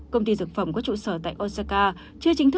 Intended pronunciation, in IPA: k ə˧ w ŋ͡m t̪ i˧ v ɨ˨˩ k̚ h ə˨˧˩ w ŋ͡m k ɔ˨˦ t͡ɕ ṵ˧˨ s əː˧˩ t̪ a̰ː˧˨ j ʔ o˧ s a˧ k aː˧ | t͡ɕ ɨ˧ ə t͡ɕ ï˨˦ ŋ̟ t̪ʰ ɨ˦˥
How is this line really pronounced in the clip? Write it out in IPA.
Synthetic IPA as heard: k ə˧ w ŋ͡m t̪ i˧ z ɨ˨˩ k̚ f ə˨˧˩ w ŋ͡m k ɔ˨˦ t͡ɕ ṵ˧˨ s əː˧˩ t̪ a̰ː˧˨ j ʔ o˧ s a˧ k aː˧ | t͡ɕ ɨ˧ ə t͡ɕ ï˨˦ ŋ̟ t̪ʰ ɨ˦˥